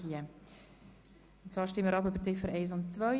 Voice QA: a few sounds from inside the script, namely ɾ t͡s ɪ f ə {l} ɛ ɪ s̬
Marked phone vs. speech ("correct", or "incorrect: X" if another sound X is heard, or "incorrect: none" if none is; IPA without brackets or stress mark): incorrect: ɾ